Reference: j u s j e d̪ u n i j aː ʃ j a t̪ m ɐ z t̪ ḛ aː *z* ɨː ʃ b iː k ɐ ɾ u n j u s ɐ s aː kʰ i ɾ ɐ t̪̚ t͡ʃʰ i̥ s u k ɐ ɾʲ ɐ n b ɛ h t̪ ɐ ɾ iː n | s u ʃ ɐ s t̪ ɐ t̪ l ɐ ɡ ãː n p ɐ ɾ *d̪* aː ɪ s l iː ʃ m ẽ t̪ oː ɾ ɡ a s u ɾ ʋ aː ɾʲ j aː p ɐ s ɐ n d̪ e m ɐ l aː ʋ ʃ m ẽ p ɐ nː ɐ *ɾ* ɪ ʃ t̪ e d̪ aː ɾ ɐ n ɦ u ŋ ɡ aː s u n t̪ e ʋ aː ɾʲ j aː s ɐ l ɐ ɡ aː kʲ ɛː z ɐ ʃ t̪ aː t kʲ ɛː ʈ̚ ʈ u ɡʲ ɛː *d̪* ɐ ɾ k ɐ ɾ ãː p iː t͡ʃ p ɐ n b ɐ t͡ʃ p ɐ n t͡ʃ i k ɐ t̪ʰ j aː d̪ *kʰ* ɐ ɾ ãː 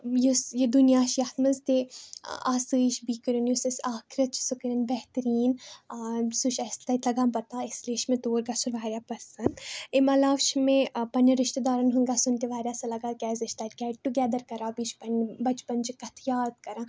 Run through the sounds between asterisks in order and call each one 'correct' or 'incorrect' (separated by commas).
incorrect, incorrect, correct, correct, incorrect